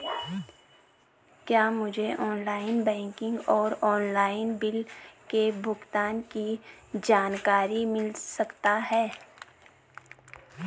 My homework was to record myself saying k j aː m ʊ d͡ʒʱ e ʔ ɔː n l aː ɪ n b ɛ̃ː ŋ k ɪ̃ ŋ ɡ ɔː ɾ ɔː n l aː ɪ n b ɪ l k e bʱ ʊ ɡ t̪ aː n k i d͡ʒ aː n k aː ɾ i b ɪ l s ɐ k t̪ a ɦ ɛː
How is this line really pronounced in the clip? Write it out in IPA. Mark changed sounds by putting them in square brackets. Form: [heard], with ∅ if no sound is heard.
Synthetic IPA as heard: k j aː m ʊ d͡ʒʱ e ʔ ɔː n l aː ɪ n b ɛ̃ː ŋ k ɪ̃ ŋ ɡ ɔː ɾ ɔː n l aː ɪ n b ɪ l k e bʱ ʊ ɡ t̪ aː n k i d͡ʒ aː n k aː ɾ i [m] ɪ l s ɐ k t̪ a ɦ ɛː